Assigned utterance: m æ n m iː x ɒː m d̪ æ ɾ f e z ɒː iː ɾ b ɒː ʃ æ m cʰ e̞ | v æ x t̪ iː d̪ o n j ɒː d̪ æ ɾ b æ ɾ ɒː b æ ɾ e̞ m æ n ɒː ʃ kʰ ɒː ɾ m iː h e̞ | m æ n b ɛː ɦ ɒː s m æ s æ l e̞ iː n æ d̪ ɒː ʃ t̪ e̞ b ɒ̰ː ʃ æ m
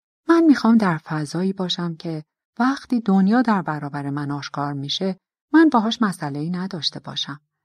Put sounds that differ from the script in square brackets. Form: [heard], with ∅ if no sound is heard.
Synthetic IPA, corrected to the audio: m æ n m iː x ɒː m d̪ æ ɾ f [æ] z ɒː iː [∅] b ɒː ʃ æ m cʰ e̞ | v æ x t̪ iː d̪ o n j ɒː d̪ æ ɾ b æ ɾ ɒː b æ ɾ e̞ m æ n ɒː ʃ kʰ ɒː ɾ m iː [ʃ] e̞ | m æ n b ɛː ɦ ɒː [ʃ] m æ s æ l e̞ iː n æ d̪ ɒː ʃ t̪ e̞ b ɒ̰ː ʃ æ m